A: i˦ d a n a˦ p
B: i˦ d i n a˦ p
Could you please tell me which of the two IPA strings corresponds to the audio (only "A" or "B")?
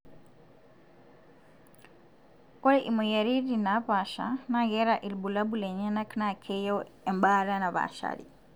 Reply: B